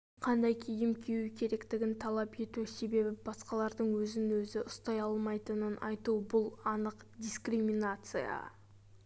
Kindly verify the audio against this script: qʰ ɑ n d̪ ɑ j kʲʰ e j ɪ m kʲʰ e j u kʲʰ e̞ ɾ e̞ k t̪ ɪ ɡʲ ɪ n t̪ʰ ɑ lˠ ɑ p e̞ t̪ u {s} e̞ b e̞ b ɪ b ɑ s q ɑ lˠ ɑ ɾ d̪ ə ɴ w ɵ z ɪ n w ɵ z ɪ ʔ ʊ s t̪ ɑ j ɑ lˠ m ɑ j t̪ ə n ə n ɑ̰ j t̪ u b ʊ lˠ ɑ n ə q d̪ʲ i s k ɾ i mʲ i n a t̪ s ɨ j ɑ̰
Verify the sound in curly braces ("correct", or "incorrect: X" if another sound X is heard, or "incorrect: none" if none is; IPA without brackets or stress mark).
correct